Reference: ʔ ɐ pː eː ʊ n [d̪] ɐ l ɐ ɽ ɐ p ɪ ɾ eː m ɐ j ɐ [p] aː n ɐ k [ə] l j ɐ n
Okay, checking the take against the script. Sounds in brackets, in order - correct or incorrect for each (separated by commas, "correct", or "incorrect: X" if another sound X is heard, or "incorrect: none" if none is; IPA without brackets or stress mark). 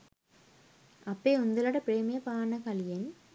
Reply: correct, correct, incorrect: ɐ